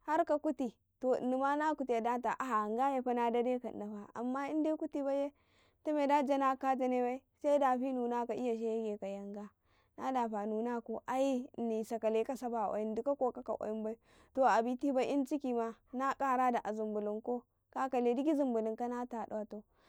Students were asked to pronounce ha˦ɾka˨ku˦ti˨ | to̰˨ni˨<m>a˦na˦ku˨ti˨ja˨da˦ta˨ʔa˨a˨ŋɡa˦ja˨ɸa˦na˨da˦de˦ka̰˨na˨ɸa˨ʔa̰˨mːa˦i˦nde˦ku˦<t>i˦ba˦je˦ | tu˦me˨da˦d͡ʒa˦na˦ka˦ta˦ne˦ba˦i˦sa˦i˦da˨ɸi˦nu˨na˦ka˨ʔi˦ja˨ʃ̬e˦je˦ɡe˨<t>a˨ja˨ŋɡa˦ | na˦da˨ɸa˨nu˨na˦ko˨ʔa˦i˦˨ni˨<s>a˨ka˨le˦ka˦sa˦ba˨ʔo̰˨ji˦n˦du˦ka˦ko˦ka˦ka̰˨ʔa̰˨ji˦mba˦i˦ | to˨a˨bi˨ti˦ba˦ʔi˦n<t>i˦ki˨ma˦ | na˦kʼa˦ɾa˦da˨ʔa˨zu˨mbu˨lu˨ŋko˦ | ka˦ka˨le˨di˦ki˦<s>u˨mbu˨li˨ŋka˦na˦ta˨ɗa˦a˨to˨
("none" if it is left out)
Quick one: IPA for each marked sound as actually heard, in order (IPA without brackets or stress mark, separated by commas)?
m, t, k, s, t͡ʃ, z